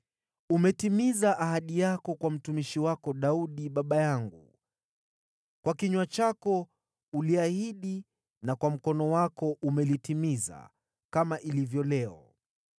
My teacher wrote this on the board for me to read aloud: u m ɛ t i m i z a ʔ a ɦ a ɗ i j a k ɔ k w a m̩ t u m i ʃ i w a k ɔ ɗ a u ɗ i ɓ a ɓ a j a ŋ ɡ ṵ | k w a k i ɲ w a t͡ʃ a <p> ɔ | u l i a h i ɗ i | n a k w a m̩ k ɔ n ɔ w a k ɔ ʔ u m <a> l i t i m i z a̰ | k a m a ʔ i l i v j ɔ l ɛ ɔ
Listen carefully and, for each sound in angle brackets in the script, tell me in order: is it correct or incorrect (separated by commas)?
incorrect, incorrect